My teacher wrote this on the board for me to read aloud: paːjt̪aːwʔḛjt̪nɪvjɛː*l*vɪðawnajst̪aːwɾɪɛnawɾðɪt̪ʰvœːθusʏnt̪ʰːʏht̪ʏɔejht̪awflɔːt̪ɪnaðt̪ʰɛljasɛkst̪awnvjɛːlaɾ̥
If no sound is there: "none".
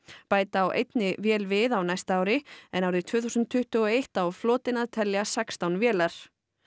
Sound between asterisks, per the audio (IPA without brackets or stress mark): l